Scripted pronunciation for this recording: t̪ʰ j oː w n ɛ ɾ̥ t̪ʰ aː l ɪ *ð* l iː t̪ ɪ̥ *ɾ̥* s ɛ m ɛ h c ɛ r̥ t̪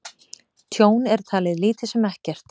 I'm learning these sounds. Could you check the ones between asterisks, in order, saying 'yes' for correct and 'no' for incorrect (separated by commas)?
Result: yes, no